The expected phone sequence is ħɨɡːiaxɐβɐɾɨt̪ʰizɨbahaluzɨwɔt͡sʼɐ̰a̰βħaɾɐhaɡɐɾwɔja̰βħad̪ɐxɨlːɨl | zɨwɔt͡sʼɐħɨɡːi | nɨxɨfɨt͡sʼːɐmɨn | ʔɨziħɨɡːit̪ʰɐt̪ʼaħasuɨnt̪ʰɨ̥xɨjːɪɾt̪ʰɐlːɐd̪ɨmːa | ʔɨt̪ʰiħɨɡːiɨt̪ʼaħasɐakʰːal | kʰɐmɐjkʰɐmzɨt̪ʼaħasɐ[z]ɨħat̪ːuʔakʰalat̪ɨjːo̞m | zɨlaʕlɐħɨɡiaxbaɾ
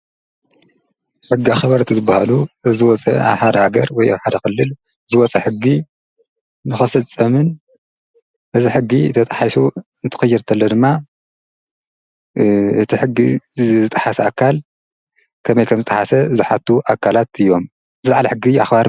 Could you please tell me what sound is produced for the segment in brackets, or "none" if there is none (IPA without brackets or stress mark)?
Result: z